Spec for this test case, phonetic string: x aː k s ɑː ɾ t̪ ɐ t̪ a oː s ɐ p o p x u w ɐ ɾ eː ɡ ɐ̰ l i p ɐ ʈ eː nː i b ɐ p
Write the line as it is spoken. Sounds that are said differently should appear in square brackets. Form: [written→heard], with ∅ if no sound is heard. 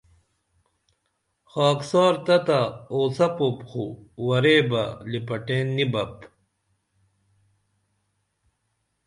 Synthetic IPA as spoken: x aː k s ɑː ɾ t̪ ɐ t̪ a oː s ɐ p o p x u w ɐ ɾ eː [ɡ→b] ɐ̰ l i p ɐ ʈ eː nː i b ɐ p